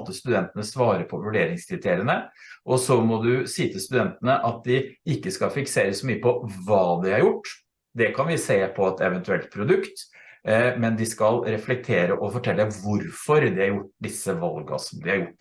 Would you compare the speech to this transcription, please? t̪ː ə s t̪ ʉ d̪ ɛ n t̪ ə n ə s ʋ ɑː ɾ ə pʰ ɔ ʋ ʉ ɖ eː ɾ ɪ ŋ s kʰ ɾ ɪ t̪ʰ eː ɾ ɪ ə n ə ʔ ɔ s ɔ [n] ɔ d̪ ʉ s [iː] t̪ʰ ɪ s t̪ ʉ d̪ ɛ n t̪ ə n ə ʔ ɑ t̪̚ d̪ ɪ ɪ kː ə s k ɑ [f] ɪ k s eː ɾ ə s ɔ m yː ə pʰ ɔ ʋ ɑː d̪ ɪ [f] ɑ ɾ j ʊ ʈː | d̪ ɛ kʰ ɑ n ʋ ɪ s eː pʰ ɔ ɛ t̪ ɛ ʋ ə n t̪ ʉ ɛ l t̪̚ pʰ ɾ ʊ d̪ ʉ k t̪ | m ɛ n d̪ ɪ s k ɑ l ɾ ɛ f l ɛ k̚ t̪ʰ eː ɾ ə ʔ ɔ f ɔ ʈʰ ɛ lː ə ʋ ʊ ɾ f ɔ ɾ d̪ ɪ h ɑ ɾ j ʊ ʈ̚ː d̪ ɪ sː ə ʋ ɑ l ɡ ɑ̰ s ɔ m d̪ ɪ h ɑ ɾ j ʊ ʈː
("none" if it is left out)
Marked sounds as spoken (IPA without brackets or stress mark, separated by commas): m, iː, f, h